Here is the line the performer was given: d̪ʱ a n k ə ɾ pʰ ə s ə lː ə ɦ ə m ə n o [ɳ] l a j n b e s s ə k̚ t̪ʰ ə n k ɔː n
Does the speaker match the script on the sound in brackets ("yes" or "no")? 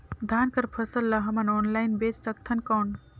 no